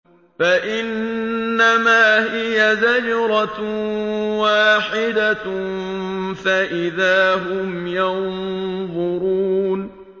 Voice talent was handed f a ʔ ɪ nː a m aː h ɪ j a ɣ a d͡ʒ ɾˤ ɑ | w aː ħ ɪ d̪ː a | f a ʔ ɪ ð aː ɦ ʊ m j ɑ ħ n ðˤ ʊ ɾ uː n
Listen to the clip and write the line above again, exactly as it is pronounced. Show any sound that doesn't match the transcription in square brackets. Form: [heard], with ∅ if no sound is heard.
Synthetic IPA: f a ʔ ɪ nː a m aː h ɪ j a [z] a d͡ʒ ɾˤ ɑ | w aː ħ ɪ [d̪] a | f a ʔ ɪ ð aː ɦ ʊ m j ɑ [∅] n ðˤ ʊ ɾ uː n